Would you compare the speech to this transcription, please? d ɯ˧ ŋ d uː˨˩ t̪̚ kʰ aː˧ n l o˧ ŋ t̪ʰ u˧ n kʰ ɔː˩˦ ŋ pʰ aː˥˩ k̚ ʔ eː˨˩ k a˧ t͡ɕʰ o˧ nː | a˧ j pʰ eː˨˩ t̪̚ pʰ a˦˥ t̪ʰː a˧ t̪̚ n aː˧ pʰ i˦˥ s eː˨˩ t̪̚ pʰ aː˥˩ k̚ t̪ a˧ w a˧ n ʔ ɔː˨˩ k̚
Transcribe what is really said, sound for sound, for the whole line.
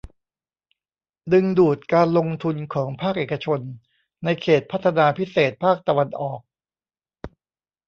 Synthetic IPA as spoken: d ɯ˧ ŋ d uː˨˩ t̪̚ k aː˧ n l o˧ ŋ t̪ʰ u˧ n kʰ ɔː˩˦ ŋ pʰ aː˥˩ k̚ ʔ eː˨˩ k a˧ t͡ɕʰ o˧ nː | a˧ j kʰ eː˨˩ t̪̚ pʰ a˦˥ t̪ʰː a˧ n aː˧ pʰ i˦˥ s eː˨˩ t̪̚ pʰ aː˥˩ k̚ t̪ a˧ w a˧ n ʔ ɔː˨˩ k̚

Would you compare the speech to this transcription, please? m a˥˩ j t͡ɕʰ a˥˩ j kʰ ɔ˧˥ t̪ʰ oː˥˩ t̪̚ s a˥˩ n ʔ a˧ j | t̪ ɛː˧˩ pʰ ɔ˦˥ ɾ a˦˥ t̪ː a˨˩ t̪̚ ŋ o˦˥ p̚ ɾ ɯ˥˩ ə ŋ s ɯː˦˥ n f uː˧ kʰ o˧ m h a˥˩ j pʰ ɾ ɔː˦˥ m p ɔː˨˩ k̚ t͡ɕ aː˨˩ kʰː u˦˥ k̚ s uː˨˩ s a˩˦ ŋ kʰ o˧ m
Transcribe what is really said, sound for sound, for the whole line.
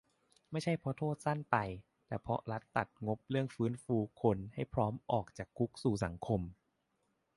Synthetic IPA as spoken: m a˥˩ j t͡ɕʰ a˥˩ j pʰ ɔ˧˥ t̪ʰ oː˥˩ t̪̚ s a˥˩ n p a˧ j | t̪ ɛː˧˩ pʰ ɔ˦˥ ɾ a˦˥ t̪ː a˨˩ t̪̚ ŋ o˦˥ p̚ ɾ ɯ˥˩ ə ŋ f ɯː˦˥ n f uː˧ kʰ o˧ n h a˥˩ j pʰ ɾ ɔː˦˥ m ʔ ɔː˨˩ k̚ t͡ɕ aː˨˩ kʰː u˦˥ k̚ s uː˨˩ s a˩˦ ŋ kʰ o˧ m

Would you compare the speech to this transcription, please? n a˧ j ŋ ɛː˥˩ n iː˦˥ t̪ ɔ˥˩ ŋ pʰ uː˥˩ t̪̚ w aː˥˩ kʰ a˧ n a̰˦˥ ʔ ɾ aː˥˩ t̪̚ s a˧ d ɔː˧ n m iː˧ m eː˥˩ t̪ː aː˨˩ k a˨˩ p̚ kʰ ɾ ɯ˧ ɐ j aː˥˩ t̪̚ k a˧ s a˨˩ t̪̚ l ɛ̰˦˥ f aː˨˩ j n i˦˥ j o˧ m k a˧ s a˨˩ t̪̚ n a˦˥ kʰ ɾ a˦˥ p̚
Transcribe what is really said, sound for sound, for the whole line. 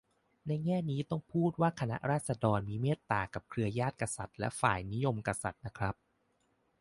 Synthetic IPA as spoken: n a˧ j ŋ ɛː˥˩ n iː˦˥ t̪ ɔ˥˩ ŋ pʰ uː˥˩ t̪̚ w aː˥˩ kʰ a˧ n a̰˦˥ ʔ ɾ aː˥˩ t̪̚ s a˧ d ɔː˧ n m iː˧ m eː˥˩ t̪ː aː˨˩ k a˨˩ p̚ kʰ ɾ ɯ˧ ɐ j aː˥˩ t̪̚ k a˧ s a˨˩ t̪̚ l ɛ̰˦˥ f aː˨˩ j n i˦˥ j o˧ m k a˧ s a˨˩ t̪̚ n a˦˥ kʰ ɾ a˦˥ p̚

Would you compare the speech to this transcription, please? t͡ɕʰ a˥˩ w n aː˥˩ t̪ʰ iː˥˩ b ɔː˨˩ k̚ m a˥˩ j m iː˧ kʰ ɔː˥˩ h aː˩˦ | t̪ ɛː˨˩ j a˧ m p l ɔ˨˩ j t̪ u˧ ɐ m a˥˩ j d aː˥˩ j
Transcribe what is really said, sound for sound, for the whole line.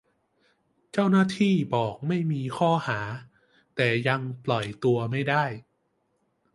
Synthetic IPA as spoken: t͡ɕ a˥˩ w n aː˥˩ t̪ʰ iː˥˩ b ɔː˨˩ k̚ m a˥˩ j m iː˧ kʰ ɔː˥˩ h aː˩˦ | t̪ ɛː˨˩ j a˧ ŋ p l ɔ˨˩ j t̪ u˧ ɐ m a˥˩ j d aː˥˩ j

